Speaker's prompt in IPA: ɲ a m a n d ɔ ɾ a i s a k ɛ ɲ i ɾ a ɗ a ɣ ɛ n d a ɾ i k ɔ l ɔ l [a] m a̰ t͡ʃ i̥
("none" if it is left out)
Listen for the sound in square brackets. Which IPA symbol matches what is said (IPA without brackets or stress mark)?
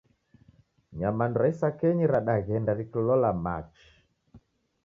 a